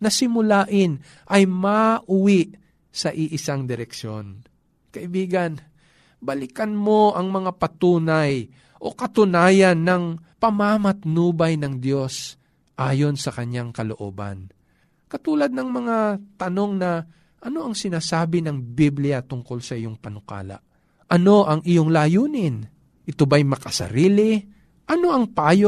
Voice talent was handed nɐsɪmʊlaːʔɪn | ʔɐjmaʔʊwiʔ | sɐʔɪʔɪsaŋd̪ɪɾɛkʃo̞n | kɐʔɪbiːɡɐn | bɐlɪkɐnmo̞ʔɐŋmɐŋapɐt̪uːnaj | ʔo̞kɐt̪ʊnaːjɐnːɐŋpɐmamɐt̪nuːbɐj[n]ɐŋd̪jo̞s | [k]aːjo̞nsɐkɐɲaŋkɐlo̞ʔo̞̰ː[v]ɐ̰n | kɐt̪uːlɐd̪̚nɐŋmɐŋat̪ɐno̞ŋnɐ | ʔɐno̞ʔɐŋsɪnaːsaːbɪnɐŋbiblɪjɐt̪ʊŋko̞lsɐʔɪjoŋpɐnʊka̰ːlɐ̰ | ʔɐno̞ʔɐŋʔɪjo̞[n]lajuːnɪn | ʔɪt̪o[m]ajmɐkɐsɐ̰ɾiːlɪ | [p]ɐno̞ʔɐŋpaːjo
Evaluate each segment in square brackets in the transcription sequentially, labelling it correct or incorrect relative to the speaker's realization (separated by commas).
correct, incorrect, incorrect, incorrect, incorrect, incorrect